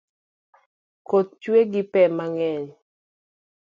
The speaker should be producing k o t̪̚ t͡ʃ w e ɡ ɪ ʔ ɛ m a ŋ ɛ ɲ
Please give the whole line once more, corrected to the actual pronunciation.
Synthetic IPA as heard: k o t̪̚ t͡ʃ w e ɡ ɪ p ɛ m a ŋ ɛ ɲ

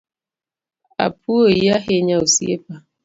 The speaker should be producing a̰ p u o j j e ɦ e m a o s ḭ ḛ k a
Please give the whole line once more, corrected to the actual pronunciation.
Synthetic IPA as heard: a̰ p u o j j a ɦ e ɲ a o s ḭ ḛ p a

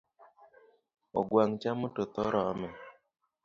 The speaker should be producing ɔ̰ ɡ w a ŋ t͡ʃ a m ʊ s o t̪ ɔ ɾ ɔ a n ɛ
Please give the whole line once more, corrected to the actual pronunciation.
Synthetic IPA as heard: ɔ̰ ɡ w a ŋ t͡ʃ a m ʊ t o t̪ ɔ ɾ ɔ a m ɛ

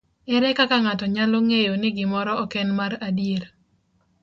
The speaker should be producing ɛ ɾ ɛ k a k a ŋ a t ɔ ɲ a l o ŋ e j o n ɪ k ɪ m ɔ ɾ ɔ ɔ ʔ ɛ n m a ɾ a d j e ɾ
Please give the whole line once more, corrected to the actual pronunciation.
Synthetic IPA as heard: ɛ ɾ ɛ k a k a ŋ a t ɔ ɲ a l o ŋ e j o n ɪ ɡ ɪ m ɔ ɾ ɔ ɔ k ɛ n m a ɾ a d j e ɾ

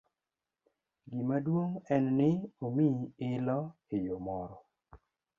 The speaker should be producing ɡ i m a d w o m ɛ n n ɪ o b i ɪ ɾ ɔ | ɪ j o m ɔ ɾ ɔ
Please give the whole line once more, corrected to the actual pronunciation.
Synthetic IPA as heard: ɡ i m a d w o ŋ ɛ n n ɪ o m i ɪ l ɔ | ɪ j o m ɔ ɾ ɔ

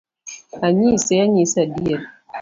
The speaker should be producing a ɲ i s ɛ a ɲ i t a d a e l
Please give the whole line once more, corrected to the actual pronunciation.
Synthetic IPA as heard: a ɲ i s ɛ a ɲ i s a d i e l

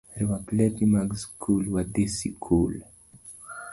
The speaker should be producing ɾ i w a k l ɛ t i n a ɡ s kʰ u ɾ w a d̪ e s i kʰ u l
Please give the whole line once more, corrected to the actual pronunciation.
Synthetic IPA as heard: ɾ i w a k l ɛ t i m a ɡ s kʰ u l w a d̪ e s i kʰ u l

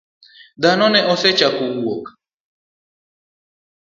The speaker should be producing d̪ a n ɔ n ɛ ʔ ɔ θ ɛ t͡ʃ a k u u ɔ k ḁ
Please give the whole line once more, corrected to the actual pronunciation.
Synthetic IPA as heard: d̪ a n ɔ n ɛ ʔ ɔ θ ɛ t͡ʃ a k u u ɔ k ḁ

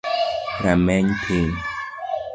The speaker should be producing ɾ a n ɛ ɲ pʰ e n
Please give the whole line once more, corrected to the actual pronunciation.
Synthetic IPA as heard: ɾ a m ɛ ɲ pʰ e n

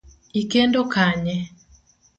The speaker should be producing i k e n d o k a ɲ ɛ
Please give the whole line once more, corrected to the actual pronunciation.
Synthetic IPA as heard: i k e n d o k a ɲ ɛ

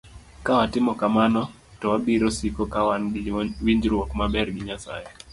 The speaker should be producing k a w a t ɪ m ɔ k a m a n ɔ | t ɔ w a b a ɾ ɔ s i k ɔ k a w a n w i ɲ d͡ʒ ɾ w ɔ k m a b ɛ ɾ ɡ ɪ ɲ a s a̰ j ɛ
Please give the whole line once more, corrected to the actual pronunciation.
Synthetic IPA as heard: k a w a t ɪ m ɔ k a m a n ɔ | t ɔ w a b i ɾ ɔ s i k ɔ k a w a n w i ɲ d͡ʒ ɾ w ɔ k m a b ɛ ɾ ɡ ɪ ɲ a s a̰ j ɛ

